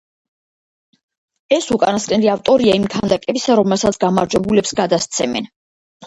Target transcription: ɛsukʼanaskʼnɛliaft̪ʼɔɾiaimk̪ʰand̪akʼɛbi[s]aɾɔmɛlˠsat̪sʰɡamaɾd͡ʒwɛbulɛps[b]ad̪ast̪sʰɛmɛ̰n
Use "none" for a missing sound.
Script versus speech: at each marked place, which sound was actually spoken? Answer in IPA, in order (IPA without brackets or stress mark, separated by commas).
s, ɡ